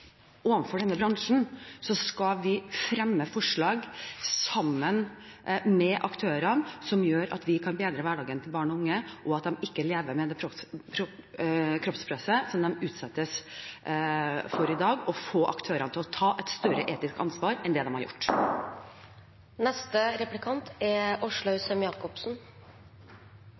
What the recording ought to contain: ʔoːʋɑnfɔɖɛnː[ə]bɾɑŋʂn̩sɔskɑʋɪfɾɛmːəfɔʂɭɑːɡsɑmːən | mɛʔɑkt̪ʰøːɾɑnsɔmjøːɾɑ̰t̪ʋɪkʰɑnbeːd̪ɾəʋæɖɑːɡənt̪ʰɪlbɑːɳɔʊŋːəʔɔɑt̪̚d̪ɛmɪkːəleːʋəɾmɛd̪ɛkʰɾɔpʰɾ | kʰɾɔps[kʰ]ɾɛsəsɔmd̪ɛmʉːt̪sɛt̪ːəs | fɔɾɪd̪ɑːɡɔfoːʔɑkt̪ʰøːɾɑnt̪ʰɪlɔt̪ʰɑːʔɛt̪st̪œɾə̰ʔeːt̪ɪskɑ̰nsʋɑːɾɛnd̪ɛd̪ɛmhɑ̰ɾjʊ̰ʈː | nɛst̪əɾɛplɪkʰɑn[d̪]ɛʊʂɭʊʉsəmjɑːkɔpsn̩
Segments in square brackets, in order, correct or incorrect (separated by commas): correct, incorrect, incorrect